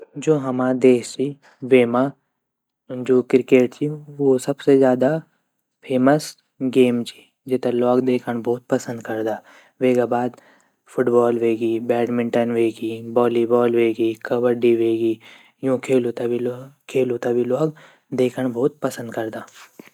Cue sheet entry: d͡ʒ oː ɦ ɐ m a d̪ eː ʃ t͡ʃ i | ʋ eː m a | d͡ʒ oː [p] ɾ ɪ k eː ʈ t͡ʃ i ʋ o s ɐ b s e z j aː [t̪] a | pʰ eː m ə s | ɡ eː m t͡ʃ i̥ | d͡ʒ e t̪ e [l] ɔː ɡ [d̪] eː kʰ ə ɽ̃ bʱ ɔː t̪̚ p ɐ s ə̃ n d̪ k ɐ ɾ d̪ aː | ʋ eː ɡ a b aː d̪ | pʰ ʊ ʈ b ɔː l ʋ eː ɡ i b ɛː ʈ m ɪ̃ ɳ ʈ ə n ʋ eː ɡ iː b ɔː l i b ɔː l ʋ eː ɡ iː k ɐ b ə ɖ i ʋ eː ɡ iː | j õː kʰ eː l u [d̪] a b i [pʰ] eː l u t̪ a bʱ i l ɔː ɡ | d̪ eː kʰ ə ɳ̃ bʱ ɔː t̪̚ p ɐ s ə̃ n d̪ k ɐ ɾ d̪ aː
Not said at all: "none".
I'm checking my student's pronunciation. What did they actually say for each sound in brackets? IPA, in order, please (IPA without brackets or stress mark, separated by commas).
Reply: k, d̪, l, d̪, t̪, kʰ